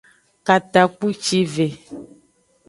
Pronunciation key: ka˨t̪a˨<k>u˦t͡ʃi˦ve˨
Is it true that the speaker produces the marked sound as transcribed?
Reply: no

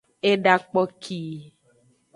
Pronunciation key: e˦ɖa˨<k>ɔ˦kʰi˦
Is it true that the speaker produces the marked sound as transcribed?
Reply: no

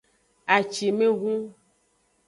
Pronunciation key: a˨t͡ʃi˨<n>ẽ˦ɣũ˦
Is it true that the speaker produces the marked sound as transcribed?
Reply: no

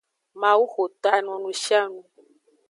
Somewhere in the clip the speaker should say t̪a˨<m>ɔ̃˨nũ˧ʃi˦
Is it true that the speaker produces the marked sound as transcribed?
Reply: no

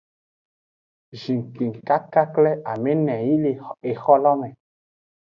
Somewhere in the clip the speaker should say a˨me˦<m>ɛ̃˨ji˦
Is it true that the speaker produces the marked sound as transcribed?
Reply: no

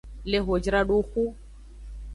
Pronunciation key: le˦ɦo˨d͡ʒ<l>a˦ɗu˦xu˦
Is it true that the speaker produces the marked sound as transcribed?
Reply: no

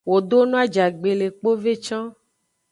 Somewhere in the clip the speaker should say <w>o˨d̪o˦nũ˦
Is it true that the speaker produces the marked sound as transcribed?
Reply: yes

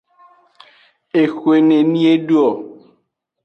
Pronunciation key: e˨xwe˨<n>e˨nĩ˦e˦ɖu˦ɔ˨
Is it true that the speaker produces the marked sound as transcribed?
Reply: yes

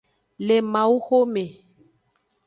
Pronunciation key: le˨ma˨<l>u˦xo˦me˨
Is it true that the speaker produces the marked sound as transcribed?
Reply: no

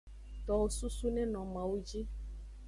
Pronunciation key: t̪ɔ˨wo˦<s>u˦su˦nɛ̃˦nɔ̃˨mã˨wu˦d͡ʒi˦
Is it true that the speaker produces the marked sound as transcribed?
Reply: yes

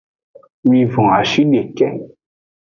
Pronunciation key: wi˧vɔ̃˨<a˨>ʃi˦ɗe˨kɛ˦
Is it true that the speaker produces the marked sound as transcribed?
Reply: yes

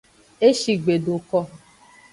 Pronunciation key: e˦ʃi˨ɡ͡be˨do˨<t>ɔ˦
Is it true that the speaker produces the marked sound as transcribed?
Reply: no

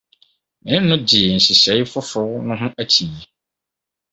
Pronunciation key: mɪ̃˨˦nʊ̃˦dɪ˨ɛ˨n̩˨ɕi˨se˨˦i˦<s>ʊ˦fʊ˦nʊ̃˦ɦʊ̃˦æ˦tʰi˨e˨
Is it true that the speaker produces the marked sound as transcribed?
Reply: no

